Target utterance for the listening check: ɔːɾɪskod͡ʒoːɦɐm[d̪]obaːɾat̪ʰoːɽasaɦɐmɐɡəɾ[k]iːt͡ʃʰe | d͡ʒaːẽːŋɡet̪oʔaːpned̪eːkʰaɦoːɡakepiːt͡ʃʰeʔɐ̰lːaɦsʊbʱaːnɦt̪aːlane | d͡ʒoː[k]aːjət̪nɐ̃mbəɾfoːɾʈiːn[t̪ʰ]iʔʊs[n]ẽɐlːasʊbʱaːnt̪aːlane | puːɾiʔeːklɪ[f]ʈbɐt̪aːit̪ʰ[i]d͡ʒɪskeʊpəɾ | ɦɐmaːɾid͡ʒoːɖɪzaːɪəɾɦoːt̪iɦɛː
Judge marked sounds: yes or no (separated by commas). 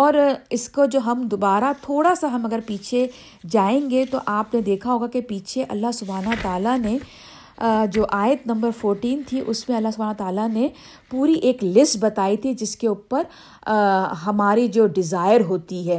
yes, no, no, yes, no, no, yes